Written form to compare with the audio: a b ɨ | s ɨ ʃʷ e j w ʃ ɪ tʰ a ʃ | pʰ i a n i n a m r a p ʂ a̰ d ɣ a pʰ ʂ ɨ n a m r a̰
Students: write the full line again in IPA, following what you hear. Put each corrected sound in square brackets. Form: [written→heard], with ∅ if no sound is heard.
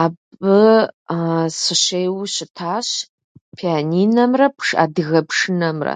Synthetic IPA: a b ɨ | s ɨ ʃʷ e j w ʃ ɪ tʰ a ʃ | pʰ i a n i n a m r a [p→pʰ] ʂ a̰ d ɣ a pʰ ʂ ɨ n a m r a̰